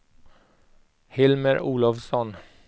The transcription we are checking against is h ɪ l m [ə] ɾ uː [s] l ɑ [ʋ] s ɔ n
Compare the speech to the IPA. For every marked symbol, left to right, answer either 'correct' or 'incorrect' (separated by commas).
correct, incorrect, correct